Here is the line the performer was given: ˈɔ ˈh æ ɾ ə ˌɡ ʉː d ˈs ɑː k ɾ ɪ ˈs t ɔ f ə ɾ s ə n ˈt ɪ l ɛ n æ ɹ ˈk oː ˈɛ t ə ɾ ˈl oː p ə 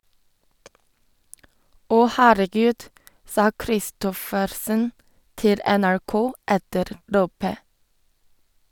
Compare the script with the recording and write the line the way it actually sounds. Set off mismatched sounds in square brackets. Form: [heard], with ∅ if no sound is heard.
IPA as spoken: ˈɔ ˈh [æː] ɾ ə ˌɡ ʉː d ˈs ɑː k ɾ ɪ ˈs t ɔ f ə ɾ s ə n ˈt ɪ l ɛ n æ ɹ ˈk oː ˈɛ t ə ɾ ˈl oː p ə